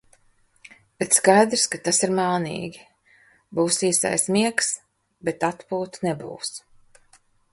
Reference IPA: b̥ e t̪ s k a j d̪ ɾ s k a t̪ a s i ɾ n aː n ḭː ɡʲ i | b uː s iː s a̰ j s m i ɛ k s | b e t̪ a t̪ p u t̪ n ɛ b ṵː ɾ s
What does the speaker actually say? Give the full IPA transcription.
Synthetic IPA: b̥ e t̪ s k a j d̪ ɾ s k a t̪ a s i ɾ m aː n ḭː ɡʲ i | b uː s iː s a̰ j s m i ɛ k s | b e t̪ a t̪ p uː t̪ n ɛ b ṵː s